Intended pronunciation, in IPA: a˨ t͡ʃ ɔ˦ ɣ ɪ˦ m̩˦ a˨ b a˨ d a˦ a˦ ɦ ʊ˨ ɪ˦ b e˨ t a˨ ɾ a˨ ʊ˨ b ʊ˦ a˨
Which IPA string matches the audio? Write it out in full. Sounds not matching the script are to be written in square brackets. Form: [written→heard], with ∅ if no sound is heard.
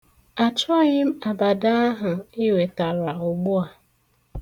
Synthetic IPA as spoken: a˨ t͡ʃ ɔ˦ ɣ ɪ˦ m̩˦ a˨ b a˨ d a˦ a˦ ɦ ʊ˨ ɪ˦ [b→w] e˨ t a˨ ɾ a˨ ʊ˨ [b→ɡ͡b] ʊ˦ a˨